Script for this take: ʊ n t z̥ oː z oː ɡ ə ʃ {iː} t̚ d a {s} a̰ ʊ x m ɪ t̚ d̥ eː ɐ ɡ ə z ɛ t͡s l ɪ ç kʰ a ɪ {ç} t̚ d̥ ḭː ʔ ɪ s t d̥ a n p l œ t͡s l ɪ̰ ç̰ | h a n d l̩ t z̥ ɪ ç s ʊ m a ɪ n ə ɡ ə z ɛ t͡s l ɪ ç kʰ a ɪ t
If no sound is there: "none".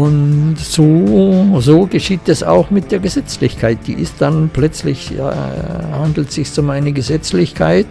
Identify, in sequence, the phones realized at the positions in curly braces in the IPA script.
iː, s, none

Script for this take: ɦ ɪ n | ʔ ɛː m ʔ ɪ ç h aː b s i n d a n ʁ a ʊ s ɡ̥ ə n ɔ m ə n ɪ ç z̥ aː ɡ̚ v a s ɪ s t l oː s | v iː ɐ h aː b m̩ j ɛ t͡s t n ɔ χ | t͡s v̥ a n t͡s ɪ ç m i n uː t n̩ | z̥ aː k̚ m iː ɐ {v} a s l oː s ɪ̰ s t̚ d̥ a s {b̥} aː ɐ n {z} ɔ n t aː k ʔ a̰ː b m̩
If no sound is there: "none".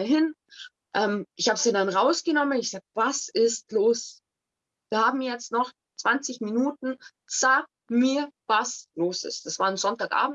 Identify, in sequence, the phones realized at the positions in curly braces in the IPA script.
v, v̥, z

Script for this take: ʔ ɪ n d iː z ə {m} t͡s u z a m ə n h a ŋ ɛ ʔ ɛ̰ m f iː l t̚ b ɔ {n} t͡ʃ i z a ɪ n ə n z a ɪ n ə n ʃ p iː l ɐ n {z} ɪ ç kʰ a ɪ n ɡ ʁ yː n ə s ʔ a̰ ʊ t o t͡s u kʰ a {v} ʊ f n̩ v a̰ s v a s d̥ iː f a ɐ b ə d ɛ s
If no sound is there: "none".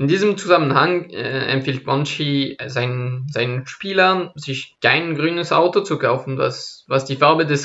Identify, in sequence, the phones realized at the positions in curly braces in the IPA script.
m, n, z, none

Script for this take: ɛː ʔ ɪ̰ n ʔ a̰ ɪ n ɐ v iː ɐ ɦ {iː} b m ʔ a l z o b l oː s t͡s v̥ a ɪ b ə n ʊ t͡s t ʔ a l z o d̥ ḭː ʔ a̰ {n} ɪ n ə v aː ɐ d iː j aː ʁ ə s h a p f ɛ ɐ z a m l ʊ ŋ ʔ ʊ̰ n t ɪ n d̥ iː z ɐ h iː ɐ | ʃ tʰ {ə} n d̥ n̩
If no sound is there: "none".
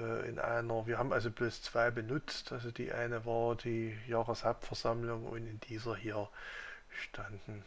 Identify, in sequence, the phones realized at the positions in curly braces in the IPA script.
aː, none, a

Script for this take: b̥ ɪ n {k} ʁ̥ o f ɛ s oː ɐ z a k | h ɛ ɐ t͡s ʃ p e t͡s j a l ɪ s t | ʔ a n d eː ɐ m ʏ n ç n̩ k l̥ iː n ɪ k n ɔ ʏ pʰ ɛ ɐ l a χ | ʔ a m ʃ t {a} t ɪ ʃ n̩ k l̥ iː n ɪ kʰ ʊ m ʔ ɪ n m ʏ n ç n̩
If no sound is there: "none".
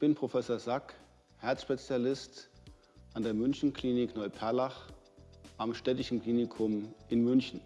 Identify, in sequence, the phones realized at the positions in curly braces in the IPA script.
p, ɛ

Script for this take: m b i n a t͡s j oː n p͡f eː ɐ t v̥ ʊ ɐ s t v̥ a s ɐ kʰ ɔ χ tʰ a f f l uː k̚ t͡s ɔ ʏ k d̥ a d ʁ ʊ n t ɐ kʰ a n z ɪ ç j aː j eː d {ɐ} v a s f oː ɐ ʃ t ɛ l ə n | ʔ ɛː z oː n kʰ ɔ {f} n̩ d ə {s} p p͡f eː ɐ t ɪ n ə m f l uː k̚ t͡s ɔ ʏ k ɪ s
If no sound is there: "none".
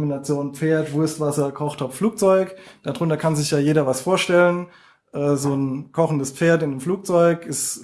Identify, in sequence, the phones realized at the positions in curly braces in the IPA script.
ɐ, χ, s

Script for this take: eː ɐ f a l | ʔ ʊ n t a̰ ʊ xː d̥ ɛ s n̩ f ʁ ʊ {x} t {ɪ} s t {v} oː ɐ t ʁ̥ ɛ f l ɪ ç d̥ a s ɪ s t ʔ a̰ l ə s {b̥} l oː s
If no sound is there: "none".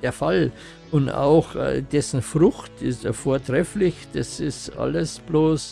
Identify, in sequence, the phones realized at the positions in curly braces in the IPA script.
x, ɪ, f, b̥

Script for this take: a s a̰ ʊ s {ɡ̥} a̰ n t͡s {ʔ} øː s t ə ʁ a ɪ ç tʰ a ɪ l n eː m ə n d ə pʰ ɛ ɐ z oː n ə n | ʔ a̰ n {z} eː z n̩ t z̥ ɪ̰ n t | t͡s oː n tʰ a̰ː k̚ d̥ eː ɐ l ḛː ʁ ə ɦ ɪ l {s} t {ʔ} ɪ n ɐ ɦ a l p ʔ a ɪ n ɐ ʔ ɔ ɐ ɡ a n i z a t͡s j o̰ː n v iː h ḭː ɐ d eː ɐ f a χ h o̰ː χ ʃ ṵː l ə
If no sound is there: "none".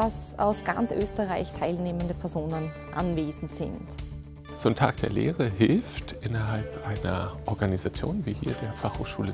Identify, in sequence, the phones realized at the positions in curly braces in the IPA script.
ɡ̥, ʔ, v, f, ʔ

